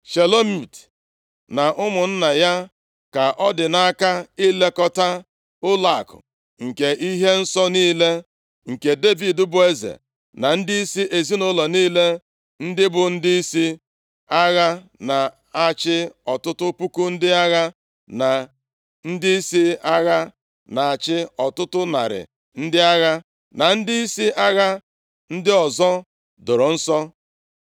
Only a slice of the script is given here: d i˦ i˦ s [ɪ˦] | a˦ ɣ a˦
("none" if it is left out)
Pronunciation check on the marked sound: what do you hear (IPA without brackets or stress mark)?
i˦